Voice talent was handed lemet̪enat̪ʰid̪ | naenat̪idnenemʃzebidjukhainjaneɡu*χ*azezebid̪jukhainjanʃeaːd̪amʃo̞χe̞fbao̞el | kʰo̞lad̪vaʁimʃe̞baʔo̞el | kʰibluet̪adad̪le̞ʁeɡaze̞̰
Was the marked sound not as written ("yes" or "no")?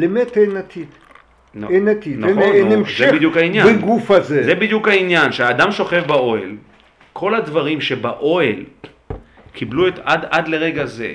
yes